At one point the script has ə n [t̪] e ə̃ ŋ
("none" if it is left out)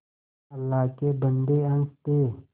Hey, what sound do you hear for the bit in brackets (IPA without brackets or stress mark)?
d̪